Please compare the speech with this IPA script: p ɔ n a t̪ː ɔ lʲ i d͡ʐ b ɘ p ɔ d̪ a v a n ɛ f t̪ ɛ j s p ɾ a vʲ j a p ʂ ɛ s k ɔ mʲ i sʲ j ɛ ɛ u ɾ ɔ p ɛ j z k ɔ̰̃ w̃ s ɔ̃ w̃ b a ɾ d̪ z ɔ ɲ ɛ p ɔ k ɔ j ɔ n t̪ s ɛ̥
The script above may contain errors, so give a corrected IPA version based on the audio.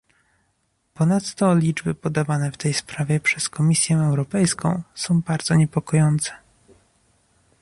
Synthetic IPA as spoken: p ɔ n a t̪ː ɔ lʲ i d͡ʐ b ɘ p ɔ d̪ a v a n ɛ f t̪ ɛ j s p ɾ a vʲ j ɛ p ʂ ɛ s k ɔ mʲ i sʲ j ɛ ɛ w ɾ ɔ p ɛ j s k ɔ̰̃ w̃ s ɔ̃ w̃ b a ɾ d̪ z ɔ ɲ ɛ p ɔ k ɔ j ɔ n t̪ s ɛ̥